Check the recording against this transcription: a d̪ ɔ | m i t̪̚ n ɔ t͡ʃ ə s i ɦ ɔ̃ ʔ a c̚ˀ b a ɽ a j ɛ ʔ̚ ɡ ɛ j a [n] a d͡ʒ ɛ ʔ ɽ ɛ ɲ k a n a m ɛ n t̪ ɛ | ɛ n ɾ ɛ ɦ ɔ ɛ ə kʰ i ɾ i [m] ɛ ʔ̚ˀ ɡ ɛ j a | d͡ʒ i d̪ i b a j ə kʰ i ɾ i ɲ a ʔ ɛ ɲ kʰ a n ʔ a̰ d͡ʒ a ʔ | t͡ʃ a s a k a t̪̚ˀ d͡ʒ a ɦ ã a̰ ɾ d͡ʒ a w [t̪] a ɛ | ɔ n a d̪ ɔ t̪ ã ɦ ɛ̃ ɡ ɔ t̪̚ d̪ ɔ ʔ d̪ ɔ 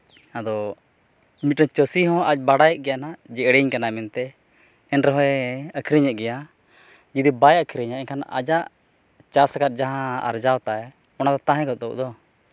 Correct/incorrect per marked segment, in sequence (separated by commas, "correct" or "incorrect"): correct, incorrect, correct